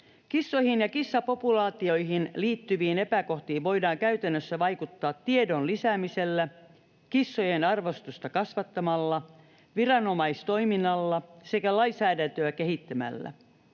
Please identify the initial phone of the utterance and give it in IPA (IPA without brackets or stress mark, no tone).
k